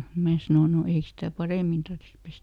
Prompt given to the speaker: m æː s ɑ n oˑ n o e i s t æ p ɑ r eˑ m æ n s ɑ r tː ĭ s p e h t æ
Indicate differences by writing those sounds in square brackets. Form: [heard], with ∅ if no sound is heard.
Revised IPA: m æː s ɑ n oˑ n o e i s t æ p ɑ r eˑ m [i] n [t] ɑ r tː ĭ s p e [s] t æ